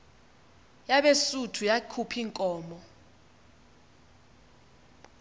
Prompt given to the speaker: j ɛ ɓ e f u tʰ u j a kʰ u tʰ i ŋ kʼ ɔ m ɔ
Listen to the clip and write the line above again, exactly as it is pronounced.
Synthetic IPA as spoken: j a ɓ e s u tʰ u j a kʰ u pʰ i ŋ kʼ ɔː m ɔ